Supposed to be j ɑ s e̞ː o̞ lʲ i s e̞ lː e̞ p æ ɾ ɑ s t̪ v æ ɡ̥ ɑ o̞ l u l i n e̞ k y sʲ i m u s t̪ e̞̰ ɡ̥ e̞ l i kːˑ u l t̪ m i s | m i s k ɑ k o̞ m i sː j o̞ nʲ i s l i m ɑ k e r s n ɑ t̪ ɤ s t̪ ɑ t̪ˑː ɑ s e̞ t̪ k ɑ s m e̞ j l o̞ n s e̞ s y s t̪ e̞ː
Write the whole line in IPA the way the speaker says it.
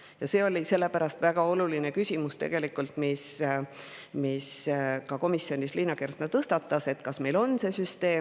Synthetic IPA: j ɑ s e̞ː o̞ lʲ i s e̞ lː e̞ p æ ɾ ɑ s t̪ v æ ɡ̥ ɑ o̞ l u l i n e̞ k y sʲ i m u s t̪ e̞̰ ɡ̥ e̞ l i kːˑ u l t̪ m i s | m i s k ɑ k o̞ m i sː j o̞ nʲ i s l i n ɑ k e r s n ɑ t̪ ɤ s t̪ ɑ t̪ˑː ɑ s e̞ t̪ k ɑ s m e̞ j l o̞ n s e̞ s y s t̪ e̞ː